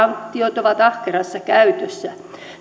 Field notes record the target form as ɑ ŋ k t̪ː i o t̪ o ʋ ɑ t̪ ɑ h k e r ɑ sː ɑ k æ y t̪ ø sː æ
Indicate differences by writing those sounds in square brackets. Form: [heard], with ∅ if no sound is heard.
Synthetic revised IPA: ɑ ŋ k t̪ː i o t̪ o ʋ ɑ t̪ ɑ h k e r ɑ sː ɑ k æ y t̪ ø sː æ